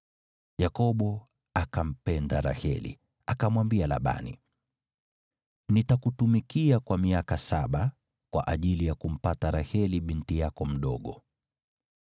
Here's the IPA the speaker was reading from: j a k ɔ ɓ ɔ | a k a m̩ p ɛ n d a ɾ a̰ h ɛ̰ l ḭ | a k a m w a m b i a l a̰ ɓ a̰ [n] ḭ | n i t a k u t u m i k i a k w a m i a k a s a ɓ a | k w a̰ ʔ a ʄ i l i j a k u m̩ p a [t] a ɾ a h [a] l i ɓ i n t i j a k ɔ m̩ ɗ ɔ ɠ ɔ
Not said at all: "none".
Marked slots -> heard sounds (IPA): n, t, ɛ

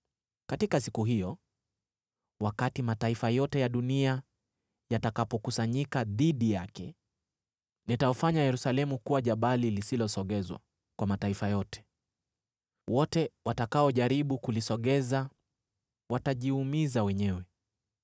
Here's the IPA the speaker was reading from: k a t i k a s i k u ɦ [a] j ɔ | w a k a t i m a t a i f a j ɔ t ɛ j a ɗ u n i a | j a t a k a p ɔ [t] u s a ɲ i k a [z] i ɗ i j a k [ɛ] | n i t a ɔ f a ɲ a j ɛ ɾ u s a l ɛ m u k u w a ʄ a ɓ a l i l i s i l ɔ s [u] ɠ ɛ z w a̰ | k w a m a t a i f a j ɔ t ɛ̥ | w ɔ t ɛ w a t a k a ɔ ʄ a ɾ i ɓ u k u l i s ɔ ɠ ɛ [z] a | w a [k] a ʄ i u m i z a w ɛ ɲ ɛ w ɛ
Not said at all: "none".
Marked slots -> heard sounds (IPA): i, k, ð, ɛ, ɔ, z, t

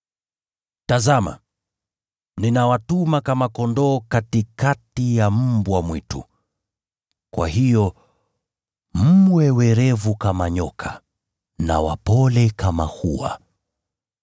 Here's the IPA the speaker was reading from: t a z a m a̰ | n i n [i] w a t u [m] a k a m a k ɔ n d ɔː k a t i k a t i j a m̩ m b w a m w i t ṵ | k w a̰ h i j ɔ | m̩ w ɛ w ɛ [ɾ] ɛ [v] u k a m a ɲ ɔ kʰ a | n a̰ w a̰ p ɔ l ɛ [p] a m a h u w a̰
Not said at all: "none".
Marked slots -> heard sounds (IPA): a, m, ɾ, v, k

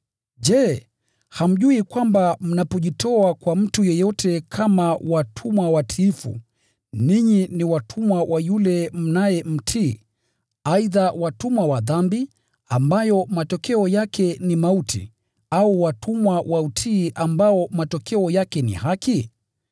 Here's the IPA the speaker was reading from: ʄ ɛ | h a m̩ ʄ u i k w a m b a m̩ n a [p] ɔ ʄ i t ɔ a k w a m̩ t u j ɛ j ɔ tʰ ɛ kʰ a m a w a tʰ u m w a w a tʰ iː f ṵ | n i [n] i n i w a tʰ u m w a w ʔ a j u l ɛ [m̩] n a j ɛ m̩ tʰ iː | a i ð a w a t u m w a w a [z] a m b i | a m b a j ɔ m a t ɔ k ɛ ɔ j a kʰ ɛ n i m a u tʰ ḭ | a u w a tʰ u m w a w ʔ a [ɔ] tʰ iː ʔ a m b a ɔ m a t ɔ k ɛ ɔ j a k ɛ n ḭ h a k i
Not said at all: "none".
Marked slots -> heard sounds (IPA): p, ɲ, m̩, ð, u

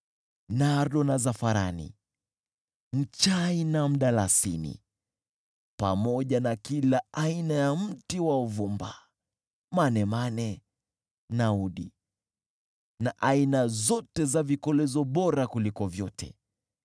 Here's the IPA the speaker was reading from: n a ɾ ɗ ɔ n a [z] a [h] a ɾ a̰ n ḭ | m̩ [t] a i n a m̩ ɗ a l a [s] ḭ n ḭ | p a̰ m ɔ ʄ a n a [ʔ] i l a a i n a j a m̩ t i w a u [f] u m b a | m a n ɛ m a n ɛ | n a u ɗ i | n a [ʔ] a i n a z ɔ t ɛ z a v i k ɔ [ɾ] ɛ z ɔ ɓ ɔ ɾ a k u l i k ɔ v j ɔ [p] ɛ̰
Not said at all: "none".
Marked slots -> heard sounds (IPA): z, f, t͡ʃ, s, k, v, ʔ, l, t

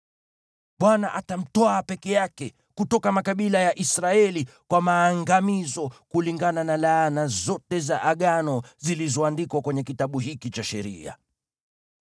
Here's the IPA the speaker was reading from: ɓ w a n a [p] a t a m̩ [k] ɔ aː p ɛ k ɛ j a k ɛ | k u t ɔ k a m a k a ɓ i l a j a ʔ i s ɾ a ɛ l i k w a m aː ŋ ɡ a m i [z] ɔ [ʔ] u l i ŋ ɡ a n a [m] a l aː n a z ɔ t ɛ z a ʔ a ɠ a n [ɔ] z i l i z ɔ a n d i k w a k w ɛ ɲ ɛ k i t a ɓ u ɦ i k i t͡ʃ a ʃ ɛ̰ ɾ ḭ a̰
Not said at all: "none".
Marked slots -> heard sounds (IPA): ʔ, t, z, k, n, ɔ

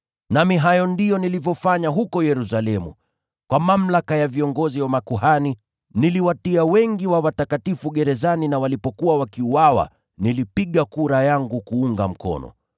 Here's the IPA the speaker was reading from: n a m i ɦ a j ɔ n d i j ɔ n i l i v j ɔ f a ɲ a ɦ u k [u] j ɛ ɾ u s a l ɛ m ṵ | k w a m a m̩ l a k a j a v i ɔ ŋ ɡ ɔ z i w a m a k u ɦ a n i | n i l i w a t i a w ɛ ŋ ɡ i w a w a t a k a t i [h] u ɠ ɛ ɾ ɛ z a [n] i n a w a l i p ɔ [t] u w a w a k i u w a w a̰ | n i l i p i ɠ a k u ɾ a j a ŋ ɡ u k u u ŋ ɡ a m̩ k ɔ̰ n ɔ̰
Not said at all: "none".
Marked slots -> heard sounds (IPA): ɔ, f, n, k

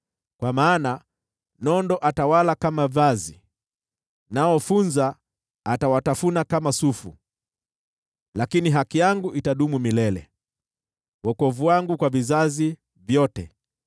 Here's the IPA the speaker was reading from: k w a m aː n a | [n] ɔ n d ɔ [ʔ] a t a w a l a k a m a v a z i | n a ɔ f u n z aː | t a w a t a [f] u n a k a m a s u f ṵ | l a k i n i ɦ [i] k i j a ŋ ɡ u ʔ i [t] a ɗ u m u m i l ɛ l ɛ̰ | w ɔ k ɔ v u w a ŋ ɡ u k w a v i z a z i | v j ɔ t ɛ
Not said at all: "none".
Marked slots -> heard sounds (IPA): n, ʔ, f, a, t

